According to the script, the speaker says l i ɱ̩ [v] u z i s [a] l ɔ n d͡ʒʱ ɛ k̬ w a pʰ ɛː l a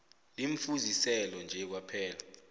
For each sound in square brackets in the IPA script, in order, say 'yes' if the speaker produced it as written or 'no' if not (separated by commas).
no, no